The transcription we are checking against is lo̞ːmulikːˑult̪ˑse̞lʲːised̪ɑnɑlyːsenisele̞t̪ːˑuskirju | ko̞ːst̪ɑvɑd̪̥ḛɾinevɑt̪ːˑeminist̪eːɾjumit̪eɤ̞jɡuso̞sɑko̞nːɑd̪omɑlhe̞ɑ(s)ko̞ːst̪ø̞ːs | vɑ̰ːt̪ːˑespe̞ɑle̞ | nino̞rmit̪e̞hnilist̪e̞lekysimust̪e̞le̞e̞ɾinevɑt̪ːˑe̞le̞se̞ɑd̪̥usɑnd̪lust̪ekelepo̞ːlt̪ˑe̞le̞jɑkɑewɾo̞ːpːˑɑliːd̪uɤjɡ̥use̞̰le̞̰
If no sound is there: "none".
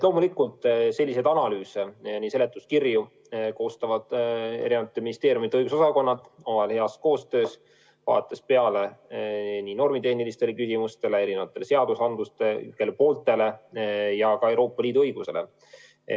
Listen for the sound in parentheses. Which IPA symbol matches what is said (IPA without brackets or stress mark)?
s